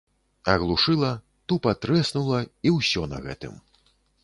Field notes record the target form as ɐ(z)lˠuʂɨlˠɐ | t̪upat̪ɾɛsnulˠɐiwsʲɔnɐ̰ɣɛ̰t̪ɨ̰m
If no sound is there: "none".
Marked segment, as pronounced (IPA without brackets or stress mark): ɣ